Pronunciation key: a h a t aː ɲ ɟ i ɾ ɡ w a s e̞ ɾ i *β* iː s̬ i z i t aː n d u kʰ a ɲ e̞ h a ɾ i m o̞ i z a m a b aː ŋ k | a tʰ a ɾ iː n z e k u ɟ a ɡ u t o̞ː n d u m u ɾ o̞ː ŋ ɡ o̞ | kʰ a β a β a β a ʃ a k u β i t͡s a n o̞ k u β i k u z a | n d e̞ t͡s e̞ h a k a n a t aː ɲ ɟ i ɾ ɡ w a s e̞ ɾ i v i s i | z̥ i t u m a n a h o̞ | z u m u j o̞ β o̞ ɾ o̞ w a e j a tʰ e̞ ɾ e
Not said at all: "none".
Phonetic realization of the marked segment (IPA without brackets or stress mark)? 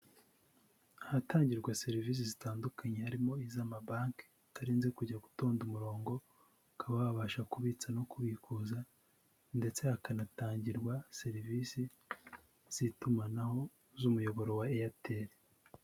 v